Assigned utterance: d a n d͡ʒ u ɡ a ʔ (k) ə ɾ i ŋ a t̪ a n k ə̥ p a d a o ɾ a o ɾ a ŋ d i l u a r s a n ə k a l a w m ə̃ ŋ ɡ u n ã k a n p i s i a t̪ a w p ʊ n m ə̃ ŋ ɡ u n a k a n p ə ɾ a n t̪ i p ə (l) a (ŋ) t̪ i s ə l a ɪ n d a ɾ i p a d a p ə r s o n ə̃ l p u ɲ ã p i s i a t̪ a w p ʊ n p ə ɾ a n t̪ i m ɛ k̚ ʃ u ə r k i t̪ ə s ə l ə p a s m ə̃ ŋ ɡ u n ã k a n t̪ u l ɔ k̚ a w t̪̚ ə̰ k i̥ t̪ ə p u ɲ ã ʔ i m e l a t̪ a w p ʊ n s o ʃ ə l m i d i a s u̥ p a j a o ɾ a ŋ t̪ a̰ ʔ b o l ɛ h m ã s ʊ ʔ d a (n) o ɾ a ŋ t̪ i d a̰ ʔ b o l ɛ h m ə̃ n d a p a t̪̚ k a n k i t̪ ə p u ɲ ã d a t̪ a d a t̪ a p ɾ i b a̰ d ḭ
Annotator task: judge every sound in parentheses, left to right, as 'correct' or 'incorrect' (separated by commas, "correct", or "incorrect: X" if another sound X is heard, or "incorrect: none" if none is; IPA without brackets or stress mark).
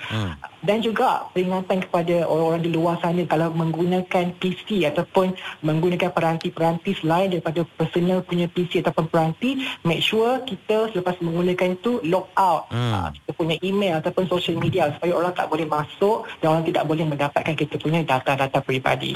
incorrect: p, incorrect: ɾ, incorrect: n, correct